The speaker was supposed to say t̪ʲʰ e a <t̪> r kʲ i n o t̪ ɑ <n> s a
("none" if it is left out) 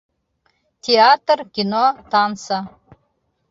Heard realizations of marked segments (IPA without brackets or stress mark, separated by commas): t̪, n